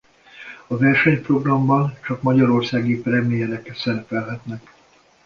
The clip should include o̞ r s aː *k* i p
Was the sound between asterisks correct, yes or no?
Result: no